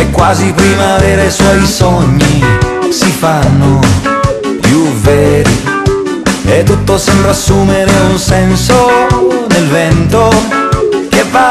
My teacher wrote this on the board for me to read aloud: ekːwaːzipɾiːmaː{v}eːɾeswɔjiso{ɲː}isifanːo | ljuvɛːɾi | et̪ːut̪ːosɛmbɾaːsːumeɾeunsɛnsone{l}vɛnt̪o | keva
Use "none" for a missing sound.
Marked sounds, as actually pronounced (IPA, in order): v, ɲː, l

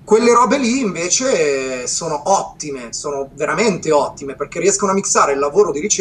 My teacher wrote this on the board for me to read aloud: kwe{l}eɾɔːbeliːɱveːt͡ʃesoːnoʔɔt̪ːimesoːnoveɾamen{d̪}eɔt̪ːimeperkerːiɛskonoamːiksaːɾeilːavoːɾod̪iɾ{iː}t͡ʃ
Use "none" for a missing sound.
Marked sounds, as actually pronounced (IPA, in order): lː, t̪, i

